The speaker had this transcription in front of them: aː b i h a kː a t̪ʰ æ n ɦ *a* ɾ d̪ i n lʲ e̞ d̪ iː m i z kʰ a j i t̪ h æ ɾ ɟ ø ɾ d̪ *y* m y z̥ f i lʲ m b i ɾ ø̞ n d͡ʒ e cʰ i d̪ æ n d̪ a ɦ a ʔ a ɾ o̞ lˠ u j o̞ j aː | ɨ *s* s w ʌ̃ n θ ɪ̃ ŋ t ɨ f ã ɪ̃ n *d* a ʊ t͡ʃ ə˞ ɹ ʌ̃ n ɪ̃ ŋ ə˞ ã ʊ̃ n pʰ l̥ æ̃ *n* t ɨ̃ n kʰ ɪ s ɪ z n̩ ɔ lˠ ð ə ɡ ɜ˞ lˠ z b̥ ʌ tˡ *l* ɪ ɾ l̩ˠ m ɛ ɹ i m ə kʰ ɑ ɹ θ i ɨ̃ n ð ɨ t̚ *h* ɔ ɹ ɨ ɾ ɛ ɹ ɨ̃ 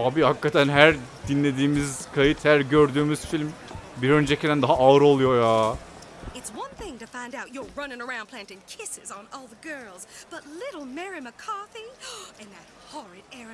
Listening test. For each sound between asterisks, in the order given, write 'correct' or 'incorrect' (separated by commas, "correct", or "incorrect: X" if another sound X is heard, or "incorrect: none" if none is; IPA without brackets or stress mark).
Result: incorrect: æ, incorrect: yː, incorrect: t, correct, correct, correct, correct